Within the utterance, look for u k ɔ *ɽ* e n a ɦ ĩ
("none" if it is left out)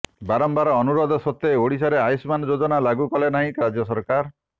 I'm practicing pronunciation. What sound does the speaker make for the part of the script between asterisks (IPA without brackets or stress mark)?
l